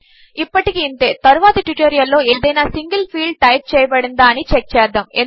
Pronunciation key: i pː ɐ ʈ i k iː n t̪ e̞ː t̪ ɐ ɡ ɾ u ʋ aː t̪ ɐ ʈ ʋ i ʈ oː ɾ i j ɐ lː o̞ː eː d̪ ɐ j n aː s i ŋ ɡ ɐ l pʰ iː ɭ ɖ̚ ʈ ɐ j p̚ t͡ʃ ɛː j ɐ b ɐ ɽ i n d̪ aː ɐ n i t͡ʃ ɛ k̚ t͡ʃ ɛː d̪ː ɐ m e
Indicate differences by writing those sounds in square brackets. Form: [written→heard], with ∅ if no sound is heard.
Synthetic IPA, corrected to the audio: i pː ɐ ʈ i k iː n t̪ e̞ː t̪ ɐ [ɡ→∅] ɾ u ʋ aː t̪ ɐ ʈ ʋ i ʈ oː ɾ i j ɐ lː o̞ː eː d̪ ɐ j n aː s i ŋ ɡ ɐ l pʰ iː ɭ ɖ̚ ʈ ɐ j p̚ t͡ʃ ɛː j ɐ b ɐ ɽ i n d̪ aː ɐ n i t͡ʃ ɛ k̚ t͡ʃ ɛː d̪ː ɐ m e